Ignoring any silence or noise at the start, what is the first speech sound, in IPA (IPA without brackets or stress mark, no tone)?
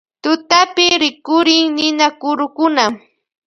t̪